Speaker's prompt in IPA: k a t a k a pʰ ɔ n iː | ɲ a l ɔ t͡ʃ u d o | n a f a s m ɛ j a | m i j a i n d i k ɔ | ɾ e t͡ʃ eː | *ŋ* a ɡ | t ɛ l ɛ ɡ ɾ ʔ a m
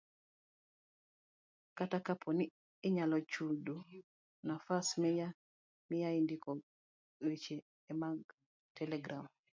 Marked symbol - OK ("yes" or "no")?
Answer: no